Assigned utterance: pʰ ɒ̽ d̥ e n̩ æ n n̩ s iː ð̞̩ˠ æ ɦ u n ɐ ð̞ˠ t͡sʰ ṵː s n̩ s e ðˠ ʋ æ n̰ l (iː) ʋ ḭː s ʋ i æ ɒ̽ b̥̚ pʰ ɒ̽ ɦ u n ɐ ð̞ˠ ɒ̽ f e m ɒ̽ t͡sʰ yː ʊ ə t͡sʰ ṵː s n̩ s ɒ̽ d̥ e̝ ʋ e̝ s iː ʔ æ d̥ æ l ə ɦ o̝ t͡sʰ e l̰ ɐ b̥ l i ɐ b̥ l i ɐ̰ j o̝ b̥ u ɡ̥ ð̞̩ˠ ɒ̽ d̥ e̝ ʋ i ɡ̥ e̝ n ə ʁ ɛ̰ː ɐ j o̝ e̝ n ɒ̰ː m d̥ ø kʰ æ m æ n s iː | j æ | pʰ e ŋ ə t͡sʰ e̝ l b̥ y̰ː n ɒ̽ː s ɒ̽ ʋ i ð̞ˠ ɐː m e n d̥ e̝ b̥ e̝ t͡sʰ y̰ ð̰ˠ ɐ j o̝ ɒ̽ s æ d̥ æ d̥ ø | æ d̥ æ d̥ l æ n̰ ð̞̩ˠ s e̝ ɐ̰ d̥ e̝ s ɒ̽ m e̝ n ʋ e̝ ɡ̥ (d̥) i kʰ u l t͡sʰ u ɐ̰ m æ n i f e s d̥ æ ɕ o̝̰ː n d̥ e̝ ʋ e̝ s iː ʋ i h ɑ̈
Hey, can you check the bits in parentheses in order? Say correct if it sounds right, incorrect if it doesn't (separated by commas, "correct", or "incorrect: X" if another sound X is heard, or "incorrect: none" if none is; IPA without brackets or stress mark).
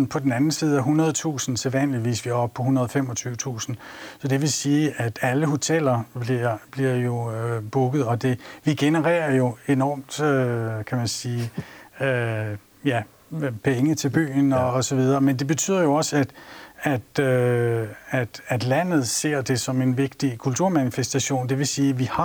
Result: incorrect: i, correct